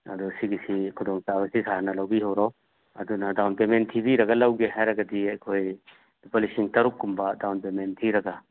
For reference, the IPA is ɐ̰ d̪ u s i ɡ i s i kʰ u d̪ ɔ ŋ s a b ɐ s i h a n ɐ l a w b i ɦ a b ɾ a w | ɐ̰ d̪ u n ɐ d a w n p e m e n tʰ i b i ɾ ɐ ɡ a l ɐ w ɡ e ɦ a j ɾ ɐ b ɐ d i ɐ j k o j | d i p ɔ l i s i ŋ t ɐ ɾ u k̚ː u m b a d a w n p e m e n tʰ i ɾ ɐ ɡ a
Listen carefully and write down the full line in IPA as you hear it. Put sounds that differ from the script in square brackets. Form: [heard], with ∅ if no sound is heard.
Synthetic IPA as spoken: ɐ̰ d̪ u s i ɡ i s i kʰ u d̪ ɔ ŋ s a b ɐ s i [s] a n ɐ l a w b i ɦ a [w] ɾ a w | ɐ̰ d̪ u n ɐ d a w n p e m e n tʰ i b i ɾ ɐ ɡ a l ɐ w ɡ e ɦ a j ɾ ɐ [ɡ] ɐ d i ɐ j [kʰ] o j | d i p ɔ l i s i ŋ t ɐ ɾ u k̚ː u m b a d a w n p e m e n tʰ i ɾ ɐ ɡ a

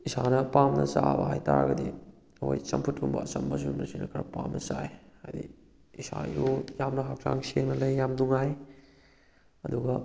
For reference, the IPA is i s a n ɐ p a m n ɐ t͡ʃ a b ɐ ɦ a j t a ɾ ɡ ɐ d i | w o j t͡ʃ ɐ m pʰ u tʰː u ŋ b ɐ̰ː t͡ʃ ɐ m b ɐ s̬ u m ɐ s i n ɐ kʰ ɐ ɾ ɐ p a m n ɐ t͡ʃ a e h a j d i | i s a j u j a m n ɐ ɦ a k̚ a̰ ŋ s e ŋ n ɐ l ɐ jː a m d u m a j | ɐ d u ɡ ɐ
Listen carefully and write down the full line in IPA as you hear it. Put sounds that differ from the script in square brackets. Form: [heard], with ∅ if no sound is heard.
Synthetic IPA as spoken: i s a n ɐ p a m n ɐ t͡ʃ a b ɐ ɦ a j t a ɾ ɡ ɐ d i | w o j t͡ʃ ɐ m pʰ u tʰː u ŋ b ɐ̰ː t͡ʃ ɐ m b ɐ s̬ u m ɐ s i n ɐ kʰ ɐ ɾ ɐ p a m n ɐ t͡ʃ a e h a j d i | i s a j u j a m n ɐ ɦ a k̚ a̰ ŋ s e ŋ n ɐ l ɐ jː a m d u [ŋ] a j | ɐ d u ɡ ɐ

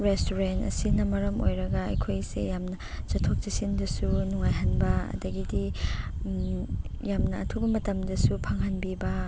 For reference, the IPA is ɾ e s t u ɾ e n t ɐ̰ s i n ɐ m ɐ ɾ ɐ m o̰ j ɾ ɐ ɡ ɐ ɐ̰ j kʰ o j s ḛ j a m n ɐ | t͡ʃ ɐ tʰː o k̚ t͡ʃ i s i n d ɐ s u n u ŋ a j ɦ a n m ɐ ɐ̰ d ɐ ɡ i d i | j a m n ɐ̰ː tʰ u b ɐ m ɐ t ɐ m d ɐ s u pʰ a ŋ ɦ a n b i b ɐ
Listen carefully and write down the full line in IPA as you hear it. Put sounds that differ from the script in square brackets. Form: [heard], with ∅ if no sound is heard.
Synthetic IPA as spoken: ɾ e s t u ɾ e n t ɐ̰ s i n ɐ m ɐ ɾ ɐ m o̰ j ɾ ɐ ɡ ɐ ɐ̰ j kʰ o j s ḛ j a m n ɐ | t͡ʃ ɐ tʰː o k̚ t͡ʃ i s i n d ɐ s u n u ŋ a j ɦ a n [b] ɐ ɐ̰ d ɐ ɡ i d i | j a m n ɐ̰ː tʰ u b ɐ m ɐ t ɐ m d ɐ s u pʰ a ŋ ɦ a n b i b ɐ

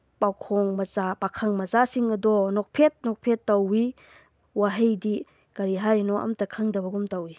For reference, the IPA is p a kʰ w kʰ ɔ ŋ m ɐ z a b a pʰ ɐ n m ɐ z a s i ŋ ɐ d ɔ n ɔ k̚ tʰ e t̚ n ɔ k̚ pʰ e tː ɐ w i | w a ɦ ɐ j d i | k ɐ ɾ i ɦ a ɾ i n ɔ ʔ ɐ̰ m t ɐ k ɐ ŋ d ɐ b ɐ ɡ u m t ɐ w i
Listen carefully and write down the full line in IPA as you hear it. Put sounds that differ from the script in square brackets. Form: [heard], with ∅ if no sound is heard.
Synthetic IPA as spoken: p a [∅] w kʰ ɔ ŋ m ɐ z a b a [kʰ] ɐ [ŋ] m ɐ z a s i ŋ ɐ d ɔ n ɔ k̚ [pʰ] e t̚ n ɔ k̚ pʰ e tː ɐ w i | w a ɦ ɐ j d i | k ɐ ɾ i ɦ a ɾ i n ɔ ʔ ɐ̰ m t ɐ [kʰ] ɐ ŋ d ɐ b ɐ ɡ u m t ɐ w i

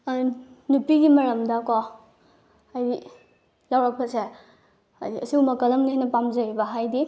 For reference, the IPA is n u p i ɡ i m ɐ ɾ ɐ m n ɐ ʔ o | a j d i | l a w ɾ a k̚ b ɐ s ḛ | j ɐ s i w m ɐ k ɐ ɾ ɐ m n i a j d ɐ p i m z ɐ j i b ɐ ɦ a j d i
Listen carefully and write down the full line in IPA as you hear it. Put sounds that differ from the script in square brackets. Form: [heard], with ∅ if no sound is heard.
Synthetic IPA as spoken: n u p i ɡ i m ɐ ɾ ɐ m [d] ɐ [k] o | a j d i | l a w ɾ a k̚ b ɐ s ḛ | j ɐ s i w m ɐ k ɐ [l] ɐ m n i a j [n] ɐ p [a] m z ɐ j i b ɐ ɦ a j d i

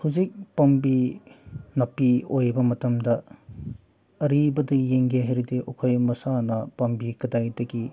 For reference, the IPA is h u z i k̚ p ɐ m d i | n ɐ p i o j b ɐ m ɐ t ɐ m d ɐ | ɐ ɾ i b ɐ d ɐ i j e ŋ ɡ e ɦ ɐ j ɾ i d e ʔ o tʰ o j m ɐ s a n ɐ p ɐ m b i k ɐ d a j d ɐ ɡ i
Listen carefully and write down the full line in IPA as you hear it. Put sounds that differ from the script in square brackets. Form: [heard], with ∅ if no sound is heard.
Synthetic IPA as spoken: h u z i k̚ p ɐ m [b] i | n ɐ p i o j b ɐ m ɐ t ɐ m d ɐ | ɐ ɾ i b ɐ d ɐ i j e ŋ ɡ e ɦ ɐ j ɾ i d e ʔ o [kʰ] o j m ɐ s a n ɐ p ɐ m b i k ɐ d a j d ɐ ɡ i

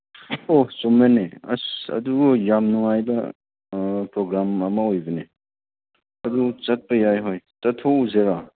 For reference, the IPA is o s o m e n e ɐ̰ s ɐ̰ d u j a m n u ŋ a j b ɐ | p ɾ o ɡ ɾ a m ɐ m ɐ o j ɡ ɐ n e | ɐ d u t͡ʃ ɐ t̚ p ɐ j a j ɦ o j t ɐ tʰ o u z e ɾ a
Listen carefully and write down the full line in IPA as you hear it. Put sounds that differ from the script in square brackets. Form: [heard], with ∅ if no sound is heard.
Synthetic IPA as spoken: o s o m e n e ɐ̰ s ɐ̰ d u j a m n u ŋ a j b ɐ | p ɾ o ɡ ɾ a m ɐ m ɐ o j [b] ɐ n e | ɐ d u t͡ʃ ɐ t̚ p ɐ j a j ɦ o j t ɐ tʰ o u z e ɾ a

